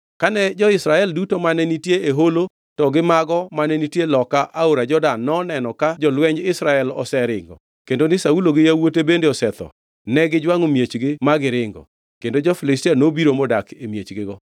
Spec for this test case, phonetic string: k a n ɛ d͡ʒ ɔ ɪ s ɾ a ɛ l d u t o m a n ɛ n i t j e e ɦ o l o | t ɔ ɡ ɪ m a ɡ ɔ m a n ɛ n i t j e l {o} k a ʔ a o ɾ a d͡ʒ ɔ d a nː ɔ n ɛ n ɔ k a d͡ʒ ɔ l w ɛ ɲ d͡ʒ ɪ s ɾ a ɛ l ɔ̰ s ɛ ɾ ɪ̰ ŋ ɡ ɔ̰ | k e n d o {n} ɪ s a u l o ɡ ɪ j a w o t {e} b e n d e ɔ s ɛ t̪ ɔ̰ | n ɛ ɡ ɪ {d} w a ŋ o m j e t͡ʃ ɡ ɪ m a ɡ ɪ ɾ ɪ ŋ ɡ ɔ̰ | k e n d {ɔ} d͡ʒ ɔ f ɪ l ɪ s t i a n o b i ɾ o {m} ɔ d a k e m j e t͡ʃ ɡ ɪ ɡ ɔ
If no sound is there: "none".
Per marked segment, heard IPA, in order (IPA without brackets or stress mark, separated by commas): ɔ, n, e, d͡ʒ, o, m